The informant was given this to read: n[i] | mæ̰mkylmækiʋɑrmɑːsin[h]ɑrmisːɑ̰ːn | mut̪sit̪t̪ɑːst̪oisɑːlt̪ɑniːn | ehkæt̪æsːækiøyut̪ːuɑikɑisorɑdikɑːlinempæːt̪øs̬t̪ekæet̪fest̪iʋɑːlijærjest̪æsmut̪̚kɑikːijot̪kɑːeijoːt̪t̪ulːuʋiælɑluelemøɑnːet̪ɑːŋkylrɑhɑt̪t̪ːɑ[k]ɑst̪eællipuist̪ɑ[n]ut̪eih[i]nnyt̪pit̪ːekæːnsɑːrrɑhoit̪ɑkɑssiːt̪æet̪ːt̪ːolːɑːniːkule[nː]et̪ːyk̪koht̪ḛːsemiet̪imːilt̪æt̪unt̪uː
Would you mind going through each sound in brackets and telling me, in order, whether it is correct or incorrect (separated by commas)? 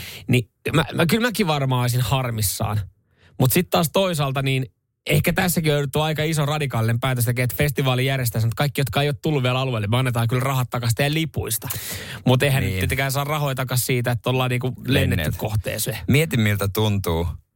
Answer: correct, correct, correct, incorrect, incorrect, correct